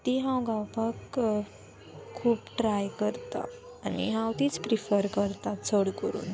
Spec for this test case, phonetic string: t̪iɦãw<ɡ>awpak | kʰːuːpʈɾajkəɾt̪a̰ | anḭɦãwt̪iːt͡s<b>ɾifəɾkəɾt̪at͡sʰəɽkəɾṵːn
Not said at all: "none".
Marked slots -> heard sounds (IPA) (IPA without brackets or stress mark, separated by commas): ɡ, p